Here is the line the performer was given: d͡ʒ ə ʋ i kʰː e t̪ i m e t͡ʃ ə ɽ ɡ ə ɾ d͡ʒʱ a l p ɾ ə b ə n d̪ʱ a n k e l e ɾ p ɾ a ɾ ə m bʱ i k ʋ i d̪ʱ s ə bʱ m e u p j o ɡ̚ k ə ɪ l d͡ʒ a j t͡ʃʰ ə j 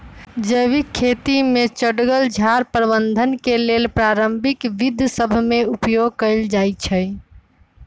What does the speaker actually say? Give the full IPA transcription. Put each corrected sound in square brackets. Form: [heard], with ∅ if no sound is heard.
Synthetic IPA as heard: d͡ʒ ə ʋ i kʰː e t̪ i m e t͡ʃ ə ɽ ɡ ə [l] d͡ʒʱ a [ɾ] p ɾ ə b ə n d̪ʱ [ə] n k e l e [l] p ɾ a ɾ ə m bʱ i k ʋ i d̪ʱ s ə bʱ m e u p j o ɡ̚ k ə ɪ l d͡ʒ a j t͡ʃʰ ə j